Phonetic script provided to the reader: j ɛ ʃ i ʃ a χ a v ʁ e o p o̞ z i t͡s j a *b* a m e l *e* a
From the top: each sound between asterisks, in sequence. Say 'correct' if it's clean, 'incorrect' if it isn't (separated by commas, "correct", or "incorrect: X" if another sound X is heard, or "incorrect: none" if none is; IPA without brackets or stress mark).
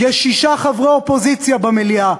correct, incorrect: i